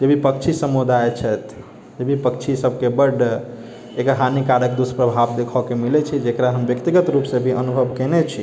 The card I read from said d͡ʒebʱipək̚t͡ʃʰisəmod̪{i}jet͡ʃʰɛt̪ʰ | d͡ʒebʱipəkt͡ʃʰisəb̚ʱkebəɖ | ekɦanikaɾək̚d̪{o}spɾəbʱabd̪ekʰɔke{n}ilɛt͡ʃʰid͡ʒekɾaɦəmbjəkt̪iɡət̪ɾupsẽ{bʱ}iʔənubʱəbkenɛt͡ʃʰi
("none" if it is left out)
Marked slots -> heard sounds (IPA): a, u, m, bʱ

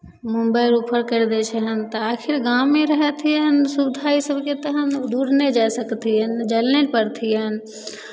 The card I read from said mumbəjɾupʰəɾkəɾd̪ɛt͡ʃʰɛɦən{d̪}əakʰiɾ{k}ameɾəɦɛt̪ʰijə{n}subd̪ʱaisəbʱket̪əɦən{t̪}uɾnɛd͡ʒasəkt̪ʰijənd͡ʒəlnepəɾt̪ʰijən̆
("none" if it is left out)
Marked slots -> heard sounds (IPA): t̪, ɡ, n, d̪

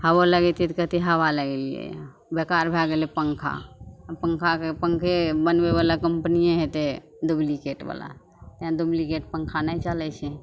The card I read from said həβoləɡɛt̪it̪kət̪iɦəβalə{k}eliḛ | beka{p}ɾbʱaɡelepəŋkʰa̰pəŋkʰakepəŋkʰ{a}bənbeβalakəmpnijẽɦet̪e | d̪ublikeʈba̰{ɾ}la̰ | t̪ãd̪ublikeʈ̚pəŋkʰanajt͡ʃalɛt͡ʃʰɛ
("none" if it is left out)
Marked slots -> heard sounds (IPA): ɡ, none, e, none

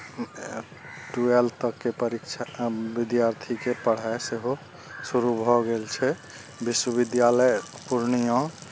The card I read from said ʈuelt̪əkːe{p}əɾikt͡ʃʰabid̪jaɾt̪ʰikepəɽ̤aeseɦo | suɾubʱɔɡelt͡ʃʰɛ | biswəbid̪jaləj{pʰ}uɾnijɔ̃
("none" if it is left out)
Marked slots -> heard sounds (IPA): p, p

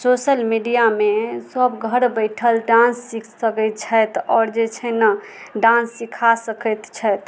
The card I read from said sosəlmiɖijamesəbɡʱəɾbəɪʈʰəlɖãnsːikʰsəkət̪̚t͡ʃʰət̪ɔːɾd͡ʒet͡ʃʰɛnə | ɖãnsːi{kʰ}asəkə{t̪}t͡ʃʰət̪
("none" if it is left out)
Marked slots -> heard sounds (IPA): kʰ, t̪

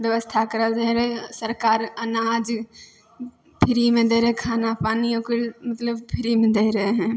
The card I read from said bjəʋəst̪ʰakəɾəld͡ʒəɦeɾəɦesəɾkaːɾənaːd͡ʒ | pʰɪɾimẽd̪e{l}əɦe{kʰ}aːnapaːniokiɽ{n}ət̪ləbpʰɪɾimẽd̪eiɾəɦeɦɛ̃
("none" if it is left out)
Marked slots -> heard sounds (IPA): ɾ, kʰ, m

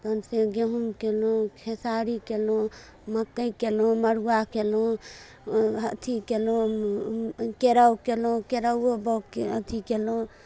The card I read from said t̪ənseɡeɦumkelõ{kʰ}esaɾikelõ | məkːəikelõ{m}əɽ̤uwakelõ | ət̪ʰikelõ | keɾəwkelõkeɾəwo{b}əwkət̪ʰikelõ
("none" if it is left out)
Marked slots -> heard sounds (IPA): kʰ, m, b

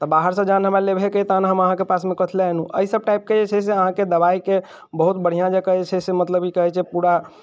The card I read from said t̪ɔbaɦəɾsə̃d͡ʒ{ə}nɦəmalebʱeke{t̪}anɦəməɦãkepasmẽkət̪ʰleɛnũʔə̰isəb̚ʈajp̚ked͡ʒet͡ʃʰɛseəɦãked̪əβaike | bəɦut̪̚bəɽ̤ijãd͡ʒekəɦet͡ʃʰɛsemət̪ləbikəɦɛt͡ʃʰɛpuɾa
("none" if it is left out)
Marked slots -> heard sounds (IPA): a, t̪

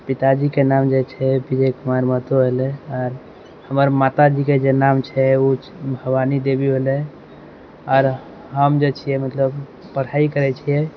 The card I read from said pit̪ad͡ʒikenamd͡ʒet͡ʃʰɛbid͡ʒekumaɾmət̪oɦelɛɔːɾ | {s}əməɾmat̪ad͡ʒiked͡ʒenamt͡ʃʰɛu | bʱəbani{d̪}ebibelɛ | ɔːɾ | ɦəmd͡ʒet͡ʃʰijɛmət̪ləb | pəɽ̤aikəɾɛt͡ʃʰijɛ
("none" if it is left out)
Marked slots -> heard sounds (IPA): h, d̪

